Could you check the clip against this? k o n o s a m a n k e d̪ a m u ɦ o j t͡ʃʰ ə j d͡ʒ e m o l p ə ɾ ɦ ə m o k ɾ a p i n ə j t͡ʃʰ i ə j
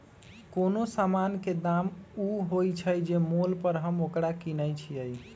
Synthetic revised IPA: k o n o s a m a n k e d̪ a m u ɦ o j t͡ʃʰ ə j d͡ʒ e m o l p ə ɾ ɦ ə m o k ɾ a k i n ə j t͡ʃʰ i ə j